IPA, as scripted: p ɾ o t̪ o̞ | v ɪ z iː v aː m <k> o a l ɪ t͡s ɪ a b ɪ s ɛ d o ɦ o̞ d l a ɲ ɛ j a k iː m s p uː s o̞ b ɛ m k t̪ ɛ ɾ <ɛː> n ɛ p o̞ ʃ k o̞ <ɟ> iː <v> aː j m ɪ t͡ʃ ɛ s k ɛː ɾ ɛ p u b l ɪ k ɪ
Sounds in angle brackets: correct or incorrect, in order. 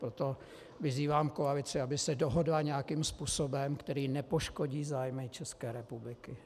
correct, incorrect, correct, incorrect

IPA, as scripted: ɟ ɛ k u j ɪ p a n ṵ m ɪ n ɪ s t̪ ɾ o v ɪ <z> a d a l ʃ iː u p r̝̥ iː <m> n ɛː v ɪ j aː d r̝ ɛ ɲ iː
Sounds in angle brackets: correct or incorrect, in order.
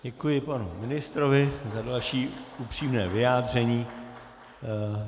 correct, correct

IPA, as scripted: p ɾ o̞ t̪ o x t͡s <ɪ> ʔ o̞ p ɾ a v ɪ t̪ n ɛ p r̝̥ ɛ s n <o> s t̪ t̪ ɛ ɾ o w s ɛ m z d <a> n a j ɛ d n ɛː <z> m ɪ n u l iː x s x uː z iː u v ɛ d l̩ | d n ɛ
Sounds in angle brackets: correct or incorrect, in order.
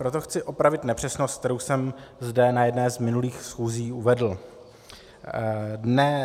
correct, correct, incorrect, correct

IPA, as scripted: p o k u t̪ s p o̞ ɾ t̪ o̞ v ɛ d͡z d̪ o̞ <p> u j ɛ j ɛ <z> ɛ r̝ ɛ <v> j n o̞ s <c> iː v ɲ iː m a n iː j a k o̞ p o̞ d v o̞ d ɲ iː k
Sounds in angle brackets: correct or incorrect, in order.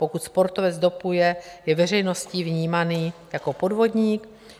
correct, incorrect, incorrect, correct

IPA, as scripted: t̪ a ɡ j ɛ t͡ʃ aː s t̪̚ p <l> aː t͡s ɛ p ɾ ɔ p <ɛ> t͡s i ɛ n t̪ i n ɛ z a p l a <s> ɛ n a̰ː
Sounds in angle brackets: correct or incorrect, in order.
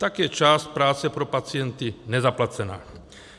incorrect, incorrect, incorrect

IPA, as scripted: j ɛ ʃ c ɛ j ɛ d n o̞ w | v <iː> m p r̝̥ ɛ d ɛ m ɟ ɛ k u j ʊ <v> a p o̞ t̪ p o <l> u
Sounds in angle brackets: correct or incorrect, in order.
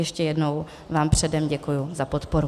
incorrect, incorrect, incorrect

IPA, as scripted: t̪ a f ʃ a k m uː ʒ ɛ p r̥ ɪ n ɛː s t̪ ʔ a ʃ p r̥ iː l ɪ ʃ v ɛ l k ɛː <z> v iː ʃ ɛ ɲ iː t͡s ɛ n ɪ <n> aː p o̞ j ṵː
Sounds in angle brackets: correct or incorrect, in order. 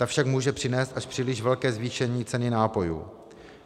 correct, correct

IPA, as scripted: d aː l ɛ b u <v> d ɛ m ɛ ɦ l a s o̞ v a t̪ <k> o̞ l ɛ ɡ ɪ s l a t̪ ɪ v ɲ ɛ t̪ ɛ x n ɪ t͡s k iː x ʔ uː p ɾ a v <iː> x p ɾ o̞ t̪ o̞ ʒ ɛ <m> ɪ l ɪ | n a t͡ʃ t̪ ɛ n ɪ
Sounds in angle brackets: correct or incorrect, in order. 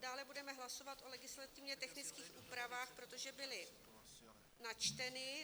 incorrect, incorrect, incorrect, incorrect

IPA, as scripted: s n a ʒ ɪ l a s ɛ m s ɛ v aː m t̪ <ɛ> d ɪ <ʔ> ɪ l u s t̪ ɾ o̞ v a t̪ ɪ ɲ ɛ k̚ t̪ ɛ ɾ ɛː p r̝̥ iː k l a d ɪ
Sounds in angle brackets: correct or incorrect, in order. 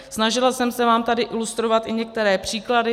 incorrect, correct

